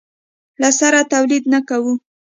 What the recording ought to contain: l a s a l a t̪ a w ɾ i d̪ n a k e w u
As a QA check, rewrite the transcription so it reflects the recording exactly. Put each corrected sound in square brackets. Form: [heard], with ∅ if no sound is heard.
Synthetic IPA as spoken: l a s a [ɾ] a t̪ a w [l] i d̪ n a k [a] w u